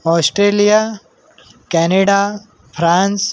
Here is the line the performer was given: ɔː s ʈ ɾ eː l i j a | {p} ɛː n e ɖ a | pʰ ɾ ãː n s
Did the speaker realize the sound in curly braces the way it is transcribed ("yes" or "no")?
no